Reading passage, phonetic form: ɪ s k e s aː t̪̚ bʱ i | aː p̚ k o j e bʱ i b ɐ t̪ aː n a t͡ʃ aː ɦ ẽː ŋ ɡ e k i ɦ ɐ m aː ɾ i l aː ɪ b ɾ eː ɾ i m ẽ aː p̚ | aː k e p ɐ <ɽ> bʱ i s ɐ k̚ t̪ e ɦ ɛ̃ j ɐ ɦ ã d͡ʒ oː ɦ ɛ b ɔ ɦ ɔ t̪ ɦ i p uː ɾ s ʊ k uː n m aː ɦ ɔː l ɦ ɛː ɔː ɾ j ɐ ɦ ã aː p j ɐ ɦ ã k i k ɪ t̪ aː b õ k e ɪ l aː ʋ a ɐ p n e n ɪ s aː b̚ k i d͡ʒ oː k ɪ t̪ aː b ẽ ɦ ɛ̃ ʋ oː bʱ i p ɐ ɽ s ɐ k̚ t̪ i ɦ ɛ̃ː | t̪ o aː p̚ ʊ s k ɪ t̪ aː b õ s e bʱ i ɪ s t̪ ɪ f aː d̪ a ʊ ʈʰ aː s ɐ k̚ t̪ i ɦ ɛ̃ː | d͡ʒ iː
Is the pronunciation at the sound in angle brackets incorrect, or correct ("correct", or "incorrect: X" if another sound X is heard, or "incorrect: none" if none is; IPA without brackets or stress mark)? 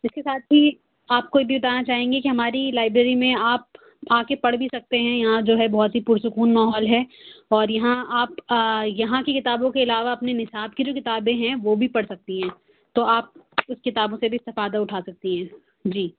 correct